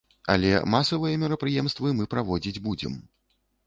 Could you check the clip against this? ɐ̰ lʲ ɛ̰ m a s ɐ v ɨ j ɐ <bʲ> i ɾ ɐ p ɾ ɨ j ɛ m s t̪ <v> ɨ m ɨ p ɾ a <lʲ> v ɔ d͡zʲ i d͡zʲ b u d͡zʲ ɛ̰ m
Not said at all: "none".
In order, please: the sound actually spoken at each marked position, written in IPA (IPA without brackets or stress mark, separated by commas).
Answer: mʲ, v, none